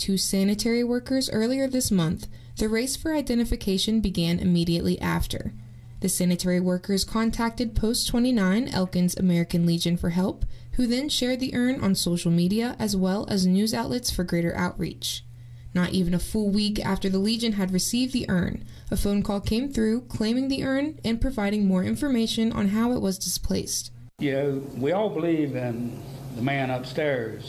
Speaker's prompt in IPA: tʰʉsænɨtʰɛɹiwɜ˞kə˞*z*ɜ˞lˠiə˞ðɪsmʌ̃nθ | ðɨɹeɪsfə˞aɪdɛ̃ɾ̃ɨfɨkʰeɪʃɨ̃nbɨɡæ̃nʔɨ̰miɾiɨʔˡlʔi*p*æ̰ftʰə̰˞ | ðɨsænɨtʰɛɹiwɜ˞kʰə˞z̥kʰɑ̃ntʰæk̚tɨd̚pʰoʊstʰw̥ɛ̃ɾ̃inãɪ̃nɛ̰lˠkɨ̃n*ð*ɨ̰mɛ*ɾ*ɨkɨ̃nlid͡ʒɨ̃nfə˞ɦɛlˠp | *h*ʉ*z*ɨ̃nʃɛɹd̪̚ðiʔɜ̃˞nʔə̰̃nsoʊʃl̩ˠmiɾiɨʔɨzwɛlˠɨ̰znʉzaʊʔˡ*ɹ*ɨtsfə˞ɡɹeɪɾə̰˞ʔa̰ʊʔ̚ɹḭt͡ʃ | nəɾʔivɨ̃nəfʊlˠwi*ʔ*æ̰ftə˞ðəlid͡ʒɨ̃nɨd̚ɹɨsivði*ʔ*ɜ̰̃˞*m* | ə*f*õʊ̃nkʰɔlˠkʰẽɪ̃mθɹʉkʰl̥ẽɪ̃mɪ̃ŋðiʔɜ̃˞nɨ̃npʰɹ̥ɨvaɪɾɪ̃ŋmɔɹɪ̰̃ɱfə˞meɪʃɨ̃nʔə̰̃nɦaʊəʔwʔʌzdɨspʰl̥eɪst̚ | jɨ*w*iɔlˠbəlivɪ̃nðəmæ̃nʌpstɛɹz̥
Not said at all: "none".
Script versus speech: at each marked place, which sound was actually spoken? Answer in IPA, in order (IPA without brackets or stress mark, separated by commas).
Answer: z, ʔ, z, ɹ, h, ð, l, k, ʔ, n, f, w